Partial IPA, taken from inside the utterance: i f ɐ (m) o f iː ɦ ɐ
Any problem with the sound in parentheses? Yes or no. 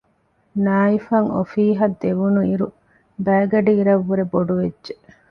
yes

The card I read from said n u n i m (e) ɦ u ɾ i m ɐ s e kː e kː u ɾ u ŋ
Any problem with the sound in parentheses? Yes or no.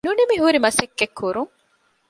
yes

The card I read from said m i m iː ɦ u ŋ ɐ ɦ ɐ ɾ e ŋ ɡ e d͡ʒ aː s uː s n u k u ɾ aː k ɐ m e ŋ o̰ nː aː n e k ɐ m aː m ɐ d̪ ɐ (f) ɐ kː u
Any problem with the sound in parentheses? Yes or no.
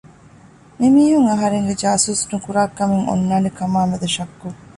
yes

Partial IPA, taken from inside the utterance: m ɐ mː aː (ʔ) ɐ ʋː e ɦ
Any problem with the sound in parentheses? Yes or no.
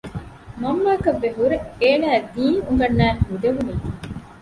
yes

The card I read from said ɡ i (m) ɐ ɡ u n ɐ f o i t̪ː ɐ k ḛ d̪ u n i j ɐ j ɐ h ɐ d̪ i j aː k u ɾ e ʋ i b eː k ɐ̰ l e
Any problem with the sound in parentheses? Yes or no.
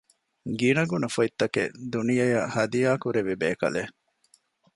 yes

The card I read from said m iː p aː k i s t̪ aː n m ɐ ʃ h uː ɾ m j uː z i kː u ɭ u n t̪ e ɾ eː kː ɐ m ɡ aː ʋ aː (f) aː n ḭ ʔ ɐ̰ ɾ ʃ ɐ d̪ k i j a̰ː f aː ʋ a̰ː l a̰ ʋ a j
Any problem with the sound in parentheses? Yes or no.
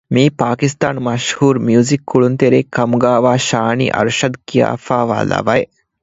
yes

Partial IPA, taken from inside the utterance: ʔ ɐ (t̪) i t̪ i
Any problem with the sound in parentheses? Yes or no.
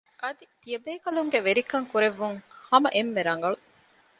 yes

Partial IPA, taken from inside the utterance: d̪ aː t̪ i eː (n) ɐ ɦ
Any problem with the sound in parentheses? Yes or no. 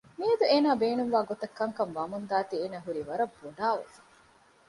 no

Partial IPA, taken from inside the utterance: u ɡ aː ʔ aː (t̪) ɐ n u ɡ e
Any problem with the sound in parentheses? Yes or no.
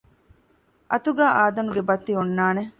yes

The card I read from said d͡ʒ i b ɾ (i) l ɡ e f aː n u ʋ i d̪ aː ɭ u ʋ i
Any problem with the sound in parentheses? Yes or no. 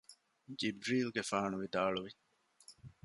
yes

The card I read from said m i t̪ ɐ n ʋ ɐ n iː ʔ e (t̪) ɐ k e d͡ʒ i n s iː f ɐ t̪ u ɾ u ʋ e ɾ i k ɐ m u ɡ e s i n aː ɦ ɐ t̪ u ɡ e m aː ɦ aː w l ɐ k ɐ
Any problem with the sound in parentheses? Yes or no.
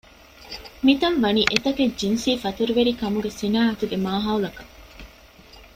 no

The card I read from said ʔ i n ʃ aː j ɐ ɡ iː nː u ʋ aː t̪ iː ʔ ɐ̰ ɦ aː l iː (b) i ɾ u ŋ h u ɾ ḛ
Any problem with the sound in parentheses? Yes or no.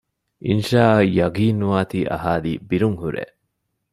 no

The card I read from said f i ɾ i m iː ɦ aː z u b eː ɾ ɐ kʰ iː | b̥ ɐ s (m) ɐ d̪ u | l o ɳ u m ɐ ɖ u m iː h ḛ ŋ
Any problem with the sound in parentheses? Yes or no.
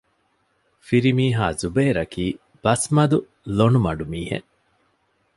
no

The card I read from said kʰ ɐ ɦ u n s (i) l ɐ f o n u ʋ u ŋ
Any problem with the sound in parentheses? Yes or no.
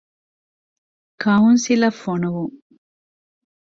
no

